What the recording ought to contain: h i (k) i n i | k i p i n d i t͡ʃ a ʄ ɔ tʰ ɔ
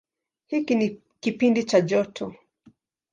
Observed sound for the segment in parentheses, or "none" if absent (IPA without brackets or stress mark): k